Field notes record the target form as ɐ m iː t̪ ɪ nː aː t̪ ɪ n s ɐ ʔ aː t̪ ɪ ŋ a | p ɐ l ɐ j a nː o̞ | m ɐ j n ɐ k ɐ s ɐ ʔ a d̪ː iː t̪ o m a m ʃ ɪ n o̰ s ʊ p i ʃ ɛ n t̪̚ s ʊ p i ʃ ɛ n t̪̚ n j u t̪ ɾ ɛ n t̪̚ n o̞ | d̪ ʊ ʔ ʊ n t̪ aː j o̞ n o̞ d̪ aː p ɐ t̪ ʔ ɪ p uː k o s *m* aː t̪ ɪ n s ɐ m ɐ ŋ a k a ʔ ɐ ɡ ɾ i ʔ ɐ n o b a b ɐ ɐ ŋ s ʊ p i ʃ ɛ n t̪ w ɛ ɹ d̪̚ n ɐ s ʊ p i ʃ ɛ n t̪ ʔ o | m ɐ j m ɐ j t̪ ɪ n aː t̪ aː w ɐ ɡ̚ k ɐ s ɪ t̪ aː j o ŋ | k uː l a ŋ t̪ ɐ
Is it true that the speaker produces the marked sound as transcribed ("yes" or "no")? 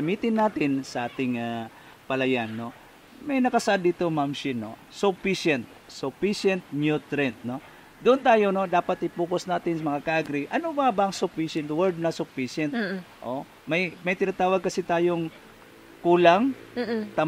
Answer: no